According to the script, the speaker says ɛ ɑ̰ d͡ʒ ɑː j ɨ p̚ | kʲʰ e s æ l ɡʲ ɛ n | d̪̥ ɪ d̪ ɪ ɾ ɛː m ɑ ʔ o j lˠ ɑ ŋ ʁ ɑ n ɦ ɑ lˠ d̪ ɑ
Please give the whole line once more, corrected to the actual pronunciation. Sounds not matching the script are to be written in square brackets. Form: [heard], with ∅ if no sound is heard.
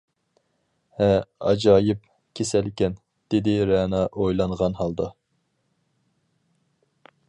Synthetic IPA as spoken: ɛ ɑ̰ d͡ʒ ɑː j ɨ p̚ | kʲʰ e s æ l [kʲ] ɛ n | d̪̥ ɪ d̪ ɪ ɾ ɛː [n] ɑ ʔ o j lˠ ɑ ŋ ʁ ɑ n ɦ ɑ lˠ d̪ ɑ